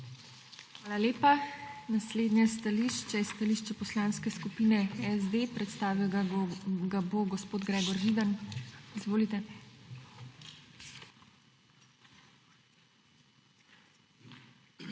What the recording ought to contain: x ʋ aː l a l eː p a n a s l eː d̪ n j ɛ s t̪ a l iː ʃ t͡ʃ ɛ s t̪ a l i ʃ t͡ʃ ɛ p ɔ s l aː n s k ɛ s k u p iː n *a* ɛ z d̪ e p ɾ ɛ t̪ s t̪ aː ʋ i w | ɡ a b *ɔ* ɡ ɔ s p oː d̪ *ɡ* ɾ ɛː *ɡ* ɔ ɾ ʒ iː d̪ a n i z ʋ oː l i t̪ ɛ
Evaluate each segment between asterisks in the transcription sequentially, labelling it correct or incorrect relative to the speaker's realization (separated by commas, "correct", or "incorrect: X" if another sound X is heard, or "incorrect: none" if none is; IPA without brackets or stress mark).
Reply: incorrect: ɛ, incorrect: o, correct, correct